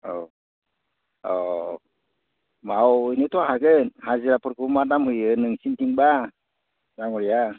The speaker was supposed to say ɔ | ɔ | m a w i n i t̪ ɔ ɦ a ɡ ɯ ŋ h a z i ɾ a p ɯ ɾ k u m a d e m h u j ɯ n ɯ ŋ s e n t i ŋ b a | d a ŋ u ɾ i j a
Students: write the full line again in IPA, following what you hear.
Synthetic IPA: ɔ | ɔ | m a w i n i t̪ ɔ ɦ a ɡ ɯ n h a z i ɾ a p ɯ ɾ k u m a d a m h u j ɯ n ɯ ŋ s i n t i ŋ b a | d a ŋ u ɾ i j a